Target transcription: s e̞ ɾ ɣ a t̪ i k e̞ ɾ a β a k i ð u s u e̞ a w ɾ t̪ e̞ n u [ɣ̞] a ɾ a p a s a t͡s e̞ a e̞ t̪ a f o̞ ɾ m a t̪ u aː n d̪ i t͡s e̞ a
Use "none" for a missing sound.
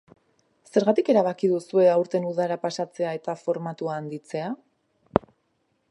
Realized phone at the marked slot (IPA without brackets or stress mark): ð̞